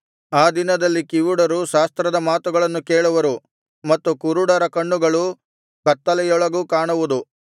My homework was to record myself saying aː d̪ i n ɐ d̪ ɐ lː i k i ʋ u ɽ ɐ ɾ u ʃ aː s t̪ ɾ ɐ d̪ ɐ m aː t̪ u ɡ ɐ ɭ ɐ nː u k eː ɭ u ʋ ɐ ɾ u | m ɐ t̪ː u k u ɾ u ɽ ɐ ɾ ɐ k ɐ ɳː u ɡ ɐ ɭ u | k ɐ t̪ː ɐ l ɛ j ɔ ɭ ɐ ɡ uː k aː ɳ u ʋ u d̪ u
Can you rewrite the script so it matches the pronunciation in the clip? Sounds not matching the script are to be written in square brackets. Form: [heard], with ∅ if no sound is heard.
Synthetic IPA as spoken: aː d̪ i n ɐ d̪ ɐ lː i k i ʋ u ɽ ɐ ɾ u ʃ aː s t̪ ɾ ɐ d̪ ɐ m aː t̪ u ɡ ɐ ɭ ɐ nː u k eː ɭ u ʋ ɐ ɾ u | m ɐ t̪ː u k u ɾ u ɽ ɐ ɾ ɐ k ɐ ɳː u ɡ ɐ ɭ u | k ɐ t̪ː ɐ l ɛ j ɔ ɭ ɐ ɡ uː k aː ɳ u ʋ u d̪ u